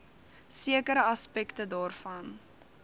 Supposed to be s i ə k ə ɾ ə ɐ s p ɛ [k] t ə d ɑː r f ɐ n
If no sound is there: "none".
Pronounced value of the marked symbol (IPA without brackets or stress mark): k